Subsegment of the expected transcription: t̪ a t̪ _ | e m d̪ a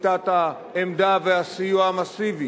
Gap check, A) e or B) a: B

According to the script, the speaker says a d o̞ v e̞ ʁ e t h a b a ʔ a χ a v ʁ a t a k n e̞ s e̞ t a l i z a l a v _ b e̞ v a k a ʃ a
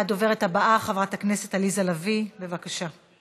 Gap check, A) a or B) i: B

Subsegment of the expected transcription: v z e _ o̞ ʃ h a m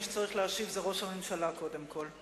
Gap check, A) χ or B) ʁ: B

